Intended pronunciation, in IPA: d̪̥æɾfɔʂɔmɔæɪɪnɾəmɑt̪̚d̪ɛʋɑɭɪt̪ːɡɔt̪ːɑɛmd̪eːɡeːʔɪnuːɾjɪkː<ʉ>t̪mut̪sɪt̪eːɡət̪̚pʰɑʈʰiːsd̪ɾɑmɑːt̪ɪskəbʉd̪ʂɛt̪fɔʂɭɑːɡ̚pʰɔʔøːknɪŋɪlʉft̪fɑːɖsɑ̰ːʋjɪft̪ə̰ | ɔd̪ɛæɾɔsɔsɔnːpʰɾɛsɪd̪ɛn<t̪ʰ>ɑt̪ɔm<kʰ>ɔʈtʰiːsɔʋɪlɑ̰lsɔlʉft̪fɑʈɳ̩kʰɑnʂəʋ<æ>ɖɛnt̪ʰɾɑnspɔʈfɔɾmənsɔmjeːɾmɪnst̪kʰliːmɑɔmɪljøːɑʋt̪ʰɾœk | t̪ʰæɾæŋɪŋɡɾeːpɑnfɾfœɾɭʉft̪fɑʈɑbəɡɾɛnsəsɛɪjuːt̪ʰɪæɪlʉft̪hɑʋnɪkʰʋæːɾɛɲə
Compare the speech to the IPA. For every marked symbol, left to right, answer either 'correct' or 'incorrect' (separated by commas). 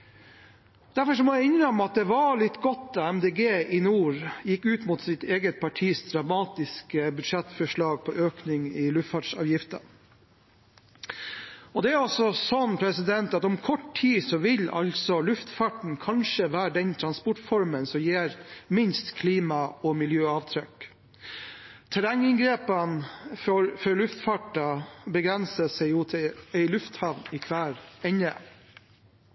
incorrect, incorrect, correct, incorrect